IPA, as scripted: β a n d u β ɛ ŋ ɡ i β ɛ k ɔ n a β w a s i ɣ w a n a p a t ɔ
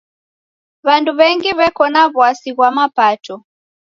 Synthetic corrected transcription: β a n d u β ɛ ŋ ɡ i β ɛ k ɔ n a β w a s i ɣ w a m a p a t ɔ